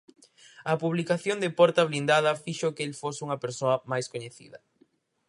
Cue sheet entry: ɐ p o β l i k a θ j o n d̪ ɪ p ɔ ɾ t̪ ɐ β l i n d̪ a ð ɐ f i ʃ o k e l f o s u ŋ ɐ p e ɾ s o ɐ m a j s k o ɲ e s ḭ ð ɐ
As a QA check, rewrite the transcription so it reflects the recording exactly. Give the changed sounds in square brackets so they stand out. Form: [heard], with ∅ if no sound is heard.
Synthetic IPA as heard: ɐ p [u] β l i k a θ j o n d̪ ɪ p ɔ ɾ t̪ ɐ β l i n d̪ a ð ɐ f i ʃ o k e l f o s u ŋ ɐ p e ɾ s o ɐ m a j s k o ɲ e [θ] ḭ ð ɐ